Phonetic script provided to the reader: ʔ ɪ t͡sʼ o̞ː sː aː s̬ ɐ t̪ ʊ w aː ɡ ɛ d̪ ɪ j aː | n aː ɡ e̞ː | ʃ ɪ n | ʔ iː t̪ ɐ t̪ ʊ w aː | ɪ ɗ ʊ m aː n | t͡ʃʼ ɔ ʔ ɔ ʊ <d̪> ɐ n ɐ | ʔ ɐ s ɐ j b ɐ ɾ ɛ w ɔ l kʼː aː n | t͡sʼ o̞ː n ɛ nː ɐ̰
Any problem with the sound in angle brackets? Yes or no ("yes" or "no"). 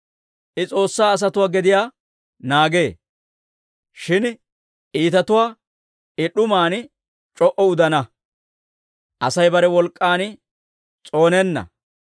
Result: no